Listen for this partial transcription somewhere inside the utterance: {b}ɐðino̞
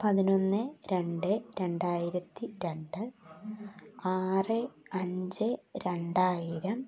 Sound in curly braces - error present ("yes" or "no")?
yes